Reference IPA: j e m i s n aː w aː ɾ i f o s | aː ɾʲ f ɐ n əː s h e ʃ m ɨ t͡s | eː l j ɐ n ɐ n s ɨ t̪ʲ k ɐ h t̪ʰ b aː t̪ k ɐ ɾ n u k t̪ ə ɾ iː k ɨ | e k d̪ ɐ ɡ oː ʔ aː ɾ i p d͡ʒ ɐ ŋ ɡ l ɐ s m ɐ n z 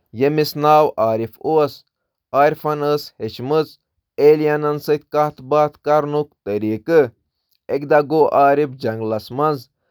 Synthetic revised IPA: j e m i s n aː w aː ɾ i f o s | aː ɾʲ f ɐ n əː s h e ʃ m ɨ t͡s | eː l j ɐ n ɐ n s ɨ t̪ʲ k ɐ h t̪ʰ b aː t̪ k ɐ ɾ n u k t̪ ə ɾ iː k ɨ | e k d̪ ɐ ɡ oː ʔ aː ɾ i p d͡ʒ ɐ ŋ ɡ l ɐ s m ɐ n z